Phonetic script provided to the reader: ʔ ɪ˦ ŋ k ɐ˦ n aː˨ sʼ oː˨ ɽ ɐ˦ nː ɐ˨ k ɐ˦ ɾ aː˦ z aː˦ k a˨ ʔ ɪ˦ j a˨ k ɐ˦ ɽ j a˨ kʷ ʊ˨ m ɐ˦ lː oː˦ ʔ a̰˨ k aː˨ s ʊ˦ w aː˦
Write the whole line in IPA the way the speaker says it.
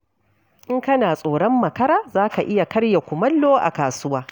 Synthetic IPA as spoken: ʔ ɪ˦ ŋ k ɐ˦ n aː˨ sʼ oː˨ ɽ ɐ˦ mː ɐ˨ k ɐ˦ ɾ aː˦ z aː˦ k a˨ ʔ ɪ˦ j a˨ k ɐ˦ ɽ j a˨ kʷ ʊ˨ m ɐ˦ lː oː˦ ʔ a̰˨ k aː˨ s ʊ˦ w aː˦